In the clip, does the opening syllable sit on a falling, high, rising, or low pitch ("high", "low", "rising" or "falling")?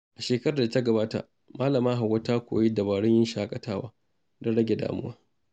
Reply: low